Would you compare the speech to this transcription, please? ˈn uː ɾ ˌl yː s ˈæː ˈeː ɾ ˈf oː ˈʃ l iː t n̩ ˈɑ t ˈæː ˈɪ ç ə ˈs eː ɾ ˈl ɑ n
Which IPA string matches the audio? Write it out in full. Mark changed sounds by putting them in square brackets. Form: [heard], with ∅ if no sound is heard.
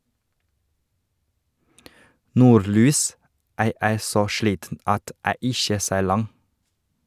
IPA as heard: ˈn uː ɾ ˌl yː s ˈæː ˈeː ɾ [ˈs] oː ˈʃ l iː t n̩ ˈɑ t ˈæː ˈɪ ç ə ˈs eː ɾ ˈl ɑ [ŋ]